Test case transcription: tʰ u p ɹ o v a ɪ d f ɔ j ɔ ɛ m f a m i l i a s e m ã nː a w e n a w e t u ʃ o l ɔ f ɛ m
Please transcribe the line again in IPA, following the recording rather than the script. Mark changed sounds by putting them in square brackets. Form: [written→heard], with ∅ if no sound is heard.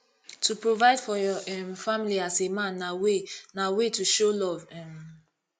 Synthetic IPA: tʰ u p ɹ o v a ɪ d f ɔ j ɔ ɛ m f a m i l i a s e m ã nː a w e n a w e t u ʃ o l ɔ [f→v] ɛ m